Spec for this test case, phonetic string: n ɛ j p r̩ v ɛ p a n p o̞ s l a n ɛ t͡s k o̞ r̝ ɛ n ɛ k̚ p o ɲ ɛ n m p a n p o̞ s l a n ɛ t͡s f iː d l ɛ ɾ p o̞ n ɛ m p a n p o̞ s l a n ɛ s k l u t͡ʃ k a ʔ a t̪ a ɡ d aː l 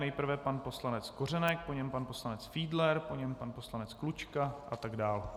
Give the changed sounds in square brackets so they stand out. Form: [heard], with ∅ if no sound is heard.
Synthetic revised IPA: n ɛ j p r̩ v ɛ p a n p o̞ s l a n ɛ t͡s k o̞ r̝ ɛ n ɛ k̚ p o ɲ ɛ [∅] m p a n p o̞ s l a n ɛ t͡s f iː d l ɛ ɾ p o̞ [ɲ] ɛ m p a n p o̞ s l a n ɛ [t͡s] k l u t͡ʃ k a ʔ a t̪ a ɡ d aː l